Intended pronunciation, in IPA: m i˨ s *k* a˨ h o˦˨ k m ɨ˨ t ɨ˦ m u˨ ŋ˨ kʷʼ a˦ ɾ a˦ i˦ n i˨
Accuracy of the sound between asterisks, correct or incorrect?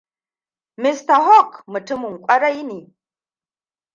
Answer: incorrect